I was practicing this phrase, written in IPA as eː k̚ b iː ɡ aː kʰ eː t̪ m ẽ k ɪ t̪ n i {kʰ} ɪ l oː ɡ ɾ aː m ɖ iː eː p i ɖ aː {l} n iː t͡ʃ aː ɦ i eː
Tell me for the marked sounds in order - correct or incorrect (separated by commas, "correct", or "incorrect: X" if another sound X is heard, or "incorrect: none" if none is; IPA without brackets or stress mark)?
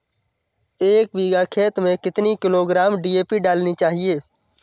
incorrect: k, correct